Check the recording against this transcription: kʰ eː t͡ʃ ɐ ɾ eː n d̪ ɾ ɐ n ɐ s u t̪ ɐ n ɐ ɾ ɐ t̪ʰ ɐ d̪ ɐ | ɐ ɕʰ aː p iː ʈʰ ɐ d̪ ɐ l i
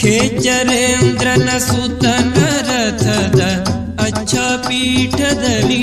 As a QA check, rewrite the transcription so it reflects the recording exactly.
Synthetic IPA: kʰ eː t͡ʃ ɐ ɾ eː n d̪ ɾ ɐ n ɐ s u t̪ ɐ n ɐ ɾ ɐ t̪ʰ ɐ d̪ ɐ | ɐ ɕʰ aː p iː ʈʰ ɐ d̪ ɐ l i